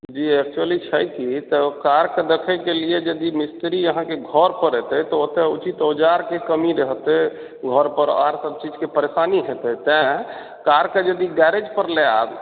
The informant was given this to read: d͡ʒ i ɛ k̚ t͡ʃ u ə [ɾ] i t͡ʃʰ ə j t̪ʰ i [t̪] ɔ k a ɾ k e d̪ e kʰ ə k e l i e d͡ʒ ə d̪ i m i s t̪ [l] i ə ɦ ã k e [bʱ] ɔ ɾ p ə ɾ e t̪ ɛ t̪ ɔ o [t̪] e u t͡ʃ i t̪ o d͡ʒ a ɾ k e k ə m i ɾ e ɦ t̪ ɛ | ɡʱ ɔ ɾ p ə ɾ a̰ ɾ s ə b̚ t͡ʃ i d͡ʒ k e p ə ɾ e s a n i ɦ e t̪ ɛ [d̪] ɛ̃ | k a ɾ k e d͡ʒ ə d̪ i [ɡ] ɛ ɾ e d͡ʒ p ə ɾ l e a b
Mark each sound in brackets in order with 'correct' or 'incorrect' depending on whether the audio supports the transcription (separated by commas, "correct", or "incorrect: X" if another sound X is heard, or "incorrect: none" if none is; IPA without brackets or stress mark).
incorrect: l, correct, incorrect: ɾ, incorrect: ɡʱ, correct, incorrect: t̪, correct